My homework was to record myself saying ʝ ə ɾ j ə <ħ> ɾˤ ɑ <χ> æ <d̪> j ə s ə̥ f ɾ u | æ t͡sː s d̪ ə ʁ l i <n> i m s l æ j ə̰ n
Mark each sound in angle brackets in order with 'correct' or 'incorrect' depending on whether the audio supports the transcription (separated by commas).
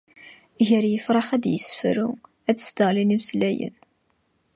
incorrect, correct, correct, correct